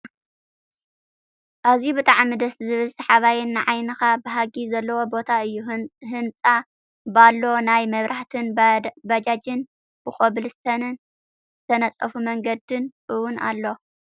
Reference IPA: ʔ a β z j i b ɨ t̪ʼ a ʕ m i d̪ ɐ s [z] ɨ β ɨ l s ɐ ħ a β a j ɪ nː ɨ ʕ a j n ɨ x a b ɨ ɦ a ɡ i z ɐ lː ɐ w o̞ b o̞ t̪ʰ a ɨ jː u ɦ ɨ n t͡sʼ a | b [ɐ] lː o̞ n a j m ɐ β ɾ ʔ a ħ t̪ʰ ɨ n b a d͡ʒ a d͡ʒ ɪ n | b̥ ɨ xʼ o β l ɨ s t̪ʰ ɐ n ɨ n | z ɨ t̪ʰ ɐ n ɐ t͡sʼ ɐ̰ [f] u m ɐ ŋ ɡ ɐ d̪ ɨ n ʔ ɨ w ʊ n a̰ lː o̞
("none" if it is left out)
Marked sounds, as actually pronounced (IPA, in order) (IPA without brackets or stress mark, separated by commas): z, a, f